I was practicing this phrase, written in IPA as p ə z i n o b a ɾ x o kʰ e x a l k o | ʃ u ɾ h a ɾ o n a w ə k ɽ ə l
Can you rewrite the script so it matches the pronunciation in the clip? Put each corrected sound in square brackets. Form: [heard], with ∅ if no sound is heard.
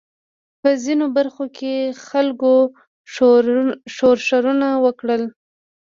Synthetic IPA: p ə z i n o b a ɾ x o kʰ e x a l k o | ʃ [o] ɾ [ʃ] a ɾ [u] n a w ə k ɽ ə l